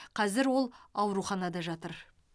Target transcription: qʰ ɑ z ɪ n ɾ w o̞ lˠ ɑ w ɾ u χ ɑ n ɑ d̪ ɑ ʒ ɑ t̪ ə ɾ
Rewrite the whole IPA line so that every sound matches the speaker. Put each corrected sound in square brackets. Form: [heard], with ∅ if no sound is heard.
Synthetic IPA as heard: qʰ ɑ z ɪ [∅] ɾ w o̞ lˠ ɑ w ɾ u χ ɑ n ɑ d̪ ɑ ʒ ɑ t̪ ə ɾ